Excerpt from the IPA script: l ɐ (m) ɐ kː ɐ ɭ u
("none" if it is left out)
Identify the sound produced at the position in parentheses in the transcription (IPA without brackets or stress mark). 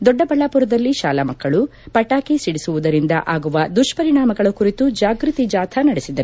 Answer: m